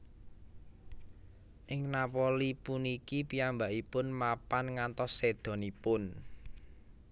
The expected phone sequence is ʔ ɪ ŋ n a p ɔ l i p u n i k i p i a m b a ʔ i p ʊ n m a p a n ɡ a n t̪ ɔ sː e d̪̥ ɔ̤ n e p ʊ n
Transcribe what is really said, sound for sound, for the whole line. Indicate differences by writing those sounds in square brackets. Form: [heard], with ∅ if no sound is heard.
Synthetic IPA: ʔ ɪ ŋ n a p ɔ l i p u n i k i p i a m b a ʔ i p ʊ n m a p a n [ŋ] a n t̪ ɔ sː e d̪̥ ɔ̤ n [i] p ʊ n